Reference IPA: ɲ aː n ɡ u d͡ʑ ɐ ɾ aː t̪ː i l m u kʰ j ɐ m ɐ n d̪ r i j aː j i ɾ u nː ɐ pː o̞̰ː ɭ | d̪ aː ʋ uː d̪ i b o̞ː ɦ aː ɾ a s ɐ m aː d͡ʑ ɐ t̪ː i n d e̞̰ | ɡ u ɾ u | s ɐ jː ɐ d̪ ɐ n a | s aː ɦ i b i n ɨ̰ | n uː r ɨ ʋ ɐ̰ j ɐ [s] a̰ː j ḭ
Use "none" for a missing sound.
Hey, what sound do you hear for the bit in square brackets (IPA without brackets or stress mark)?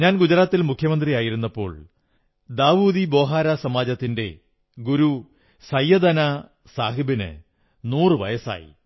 s